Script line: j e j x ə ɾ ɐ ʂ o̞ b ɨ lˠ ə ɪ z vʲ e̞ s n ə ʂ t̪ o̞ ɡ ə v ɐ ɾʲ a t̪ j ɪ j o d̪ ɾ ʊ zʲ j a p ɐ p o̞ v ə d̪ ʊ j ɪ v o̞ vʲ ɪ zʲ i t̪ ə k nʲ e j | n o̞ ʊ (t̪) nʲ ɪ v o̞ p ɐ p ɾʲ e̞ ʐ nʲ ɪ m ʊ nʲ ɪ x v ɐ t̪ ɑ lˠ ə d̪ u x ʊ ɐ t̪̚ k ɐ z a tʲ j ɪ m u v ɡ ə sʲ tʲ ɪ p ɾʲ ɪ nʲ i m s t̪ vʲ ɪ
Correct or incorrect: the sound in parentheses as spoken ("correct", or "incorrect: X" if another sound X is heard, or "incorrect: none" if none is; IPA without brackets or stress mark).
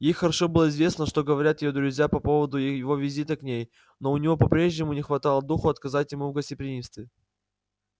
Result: incorrect: none